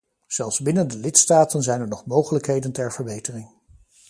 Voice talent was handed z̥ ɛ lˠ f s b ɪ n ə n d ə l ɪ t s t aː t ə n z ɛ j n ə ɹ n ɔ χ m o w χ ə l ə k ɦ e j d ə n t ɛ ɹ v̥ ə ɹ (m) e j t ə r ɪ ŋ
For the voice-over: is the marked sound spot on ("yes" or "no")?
no